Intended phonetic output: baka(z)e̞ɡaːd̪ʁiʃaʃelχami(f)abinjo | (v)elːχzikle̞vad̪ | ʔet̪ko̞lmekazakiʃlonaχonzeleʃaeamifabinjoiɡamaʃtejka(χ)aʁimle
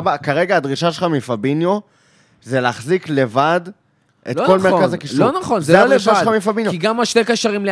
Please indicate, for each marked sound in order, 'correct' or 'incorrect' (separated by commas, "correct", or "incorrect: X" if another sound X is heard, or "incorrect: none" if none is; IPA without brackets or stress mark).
incorrect: ʁ, correct, incorrect: z, incorrect: ʃ